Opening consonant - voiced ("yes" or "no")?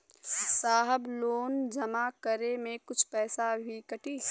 no